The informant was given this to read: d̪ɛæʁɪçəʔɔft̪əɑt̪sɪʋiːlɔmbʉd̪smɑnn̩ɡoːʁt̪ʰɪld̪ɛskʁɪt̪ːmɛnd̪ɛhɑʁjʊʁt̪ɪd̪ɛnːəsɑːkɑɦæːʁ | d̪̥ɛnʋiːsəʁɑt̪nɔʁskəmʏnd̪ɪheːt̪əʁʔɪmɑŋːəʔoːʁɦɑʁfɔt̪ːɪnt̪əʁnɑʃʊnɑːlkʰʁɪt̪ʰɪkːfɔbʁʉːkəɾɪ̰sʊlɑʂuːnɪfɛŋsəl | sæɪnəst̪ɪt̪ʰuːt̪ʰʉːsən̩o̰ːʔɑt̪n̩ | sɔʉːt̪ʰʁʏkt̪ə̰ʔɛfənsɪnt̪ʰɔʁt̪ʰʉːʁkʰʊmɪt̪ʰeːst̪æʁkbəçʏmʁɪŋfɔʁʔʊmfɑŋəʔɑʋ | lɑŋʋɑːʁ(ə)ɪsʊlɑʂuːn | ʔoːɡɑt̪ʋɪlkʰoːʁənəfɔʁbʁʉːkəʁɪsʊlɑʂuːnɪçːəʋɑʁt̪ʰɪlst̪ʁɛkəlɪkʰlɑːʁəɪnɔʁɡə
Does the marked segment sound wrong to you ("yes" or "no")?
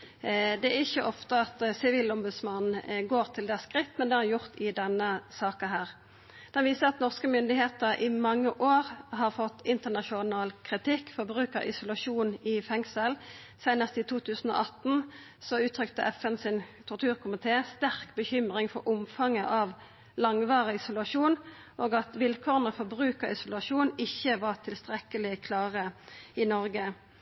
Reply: no